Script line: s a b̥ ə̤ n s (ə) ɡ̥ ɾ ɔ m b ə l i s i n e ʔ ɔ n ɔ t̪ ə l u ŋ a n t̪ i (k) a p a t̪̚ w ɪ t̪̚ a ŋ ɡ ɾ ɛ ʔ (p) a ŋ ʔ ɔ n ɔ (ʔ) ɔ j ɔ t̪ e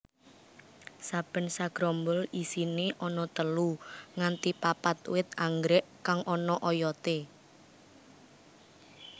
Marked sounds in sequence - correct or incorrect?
incorrect: a, incorrect: p, incorrect: k, correct

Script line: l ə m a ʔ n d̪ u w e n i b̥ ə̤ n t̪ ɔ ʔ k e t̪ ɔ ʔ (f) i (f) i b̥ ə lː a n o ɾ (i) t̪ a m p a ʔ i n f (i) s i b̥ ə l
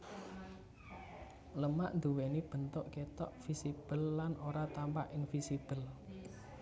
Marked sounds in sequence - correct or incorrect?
correct, incorrect: s, incorrect: a, correct

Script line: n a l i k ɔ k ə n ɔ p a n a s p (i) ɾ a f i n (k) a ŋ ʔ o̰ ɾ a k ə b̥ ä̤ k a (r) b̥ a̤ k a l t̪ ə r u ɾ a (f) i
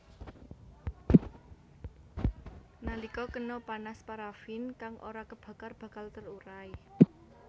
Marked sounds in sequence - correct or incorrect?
incorrect: a, correct, correct, incorrect: none

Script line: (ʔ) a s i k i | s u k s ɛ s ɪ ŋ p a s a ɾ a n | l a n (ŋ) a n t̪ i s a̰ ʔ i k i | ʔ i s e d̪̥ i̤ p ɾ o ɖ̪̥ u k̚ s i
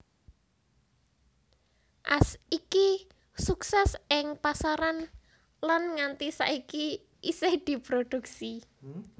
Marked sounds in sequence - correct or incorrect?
correct, correct

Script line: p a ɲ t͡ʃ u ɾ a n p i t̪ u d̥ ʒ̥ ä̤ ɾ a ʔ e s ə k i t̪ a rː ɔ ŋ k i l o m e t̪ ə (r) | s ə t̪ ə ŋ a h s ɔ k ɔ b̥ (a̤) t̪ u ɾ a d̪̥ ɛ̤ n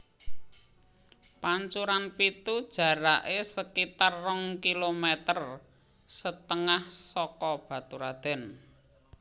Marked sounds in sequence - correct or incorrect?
correct, correct

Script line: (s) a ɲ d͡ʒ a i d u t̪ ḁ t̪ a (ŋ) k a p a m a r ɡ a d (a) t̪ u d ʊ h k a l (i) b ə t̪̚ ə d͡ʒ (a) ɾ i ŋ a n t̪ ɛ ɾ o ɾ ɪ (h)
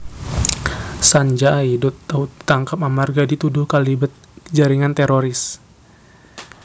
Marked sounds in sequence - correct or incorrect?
correct, correct, incorrect: i, correct, correct, incorrect: s

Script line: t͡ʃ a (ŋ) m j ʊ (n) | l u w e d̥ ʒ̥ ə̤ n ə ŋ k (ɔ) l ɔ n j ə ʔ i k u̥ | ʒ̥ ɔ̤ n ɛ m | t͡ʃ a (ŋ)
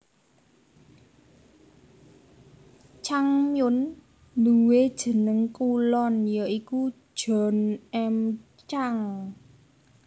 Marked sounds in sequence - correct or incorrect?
correct, correct, incorrect: u, correct

